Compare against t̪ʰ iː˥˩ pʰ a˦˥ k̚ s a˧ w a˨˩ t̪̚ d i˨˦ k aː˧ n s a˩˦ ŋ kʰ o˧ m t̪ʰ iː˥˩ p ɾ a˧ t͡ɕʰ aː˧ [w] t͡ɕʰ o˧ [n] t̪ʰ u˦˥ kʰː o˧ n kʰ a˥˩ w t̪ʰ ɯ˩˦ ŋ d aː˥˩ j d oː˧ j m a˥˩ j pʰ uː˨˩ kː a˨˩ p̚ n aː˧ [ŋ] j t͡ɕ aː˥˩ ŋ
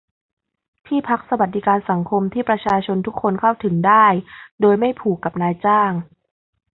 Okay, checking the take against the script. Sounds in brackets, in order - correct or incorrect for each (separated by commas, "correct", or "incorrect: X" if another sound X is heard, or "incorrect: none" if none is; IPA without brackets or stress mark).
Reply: incorrect: none, correct, incorrect: none